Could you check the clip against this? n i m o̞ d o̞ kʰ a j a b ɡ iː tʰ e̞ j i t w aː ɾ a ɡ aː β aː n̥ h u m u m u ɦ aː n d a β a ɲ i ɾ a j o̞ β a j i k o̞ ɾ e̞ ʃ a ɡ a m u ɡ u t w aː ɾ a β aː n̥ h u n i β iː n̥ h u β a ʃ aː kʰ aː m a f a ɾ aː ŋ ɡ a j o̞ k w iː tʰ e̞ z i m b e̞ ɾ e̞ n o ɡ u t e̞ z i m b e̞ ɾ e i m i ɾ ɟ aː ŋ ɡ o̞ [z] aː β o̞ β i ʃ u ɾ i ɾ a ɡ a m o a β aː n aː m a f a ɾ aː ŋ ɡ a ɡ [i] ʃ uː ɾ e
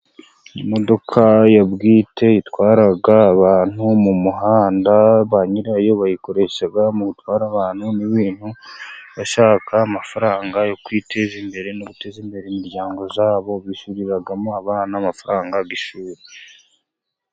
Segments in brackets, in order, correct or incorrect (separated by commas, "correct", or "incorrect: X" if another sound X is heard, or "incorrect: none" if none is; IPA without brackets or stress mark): correct, correct